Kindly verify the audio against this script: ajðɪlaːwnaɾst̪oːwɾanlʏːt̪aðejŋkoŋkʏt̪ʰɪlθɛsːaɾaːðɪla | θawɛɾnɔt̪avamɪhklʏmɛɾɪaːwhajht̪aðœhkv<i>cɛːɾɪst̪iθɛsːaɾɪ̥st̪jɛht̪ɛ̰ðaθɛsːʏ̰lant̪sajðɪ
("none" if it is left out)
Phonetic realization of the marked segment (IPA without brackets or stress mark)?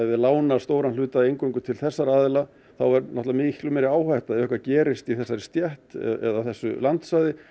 a